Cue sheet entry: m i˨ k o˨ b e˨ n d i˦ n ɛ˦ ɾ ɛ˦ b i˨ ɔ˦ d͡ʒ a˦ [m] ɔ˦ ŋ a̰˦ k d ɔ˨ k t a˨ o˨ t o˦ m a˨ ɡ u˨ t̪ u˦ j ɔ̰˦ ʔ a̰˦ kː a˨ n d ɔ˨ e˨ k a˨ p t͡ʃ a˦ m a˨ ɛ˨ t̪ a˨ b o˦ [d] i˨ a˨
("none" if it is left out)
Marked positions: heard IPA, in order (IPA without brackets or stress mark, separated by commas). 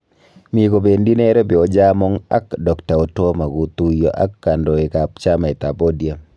m, d